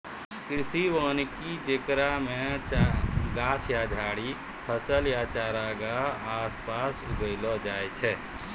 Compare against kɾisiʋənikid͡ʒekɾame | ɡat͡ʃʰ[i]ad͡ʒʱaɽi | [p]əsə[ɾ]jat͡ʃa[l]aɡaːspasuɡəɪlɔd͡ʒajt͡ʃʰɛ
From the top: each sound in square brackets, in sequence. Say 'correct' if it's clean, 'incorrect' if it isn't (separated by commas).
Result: incorrect, incorrect, incorrect, incorrect